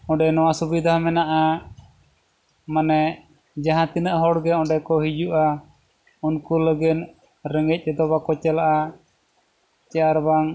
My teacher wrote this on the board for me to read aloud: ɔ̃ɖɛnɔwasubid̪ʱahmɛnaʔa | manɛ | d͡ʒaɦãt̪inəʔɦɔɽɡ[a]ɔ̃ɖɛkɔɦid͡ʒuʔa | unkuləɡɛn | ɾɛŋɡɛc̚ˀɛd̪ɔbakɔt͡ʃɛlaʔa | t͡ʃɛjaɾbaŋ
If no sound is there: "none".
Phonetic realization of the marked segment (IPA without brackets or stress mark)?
ɛ